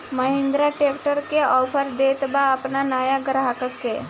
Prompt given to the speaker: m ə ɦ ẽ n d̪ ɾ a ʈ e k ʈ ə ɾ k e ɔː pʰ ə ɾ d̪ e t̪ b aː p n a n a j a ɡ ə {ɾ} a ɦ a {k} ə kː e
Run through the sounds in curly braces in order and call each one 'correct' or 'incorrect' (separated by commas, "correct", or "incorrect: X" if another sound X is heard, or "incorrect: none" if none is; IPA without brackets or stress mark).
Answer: correct, correct